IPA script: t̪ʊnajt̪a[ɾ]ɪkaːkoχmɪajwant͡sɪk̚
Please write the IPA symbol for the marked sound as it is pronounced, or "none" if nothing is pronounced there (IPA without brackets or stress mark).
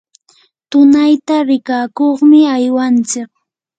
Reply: ɾ